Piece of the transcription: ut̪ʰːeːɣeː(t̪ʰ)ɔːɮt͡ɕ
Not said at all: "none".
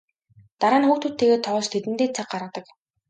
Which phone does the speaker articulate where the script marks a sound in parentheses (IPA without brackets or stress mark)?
t̪ʰ